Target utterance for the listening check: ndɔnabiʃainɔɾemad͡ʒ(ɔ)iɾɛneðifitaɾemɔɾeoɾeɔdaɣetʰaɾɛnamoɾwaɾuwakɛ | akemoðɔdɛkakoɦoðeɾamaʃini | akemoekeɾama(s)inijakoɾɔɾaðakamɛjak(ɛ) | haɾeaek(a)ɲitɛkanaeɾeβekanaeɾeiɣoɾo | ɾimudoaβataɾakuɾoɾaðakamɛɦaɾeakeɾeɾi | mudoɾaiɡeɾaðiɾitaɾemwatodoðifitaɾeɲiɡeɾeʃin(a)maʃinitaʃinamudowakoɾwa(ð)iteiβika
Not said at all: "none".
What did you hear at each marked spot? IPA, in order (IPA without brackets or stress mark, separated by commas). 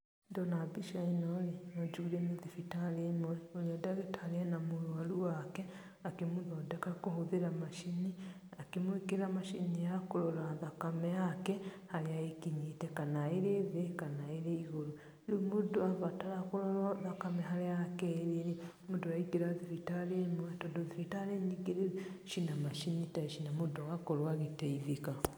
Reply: u, ʃ, ɛ, i, a, ɣ